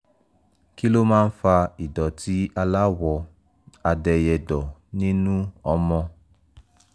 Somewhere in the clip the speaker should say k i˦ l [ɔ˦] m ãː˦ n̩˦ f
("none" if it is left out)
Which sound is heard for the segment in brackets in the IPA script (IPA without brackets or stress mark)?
o˦